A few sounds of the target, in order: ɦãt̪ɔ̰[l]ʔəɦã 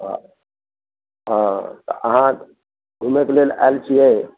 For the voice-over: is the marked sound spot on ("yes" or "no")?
no